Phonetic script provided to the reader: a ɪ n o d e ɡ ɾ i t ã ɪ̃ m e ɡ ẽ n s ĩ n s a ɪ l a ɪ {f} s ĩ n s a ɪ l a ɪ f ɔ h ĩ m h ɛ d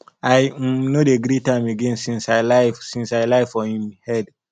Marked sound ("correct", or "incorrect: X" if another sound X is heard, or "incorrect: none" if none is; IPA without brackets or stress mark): correct